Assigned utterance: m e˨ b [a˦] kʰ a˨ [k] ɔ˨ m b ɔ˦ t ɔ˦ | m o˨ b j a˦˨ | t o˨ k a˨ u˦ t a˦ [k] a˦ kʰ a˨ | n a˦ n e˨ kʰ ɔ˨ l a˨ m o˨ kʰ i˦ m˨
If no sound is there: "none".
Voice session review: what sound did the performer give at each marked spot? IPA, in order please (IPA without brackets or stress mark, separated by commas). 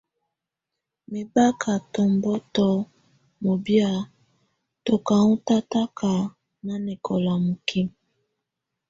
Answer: a˦, t, t